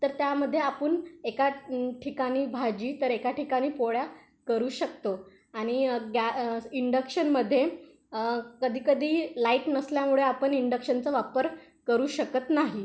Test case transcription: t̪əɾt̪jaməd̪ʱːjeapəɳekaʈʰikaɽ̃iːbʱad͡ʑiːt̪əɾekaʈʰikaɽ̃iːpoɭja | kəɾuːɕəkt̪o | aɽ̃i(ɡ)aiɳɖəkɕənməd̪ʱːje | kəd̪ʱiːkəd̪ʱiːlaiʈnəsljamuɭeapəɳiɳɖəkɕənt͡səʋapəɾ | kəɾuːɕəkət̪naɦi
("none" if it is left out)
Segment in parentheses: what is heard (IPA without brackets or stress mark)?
ɡ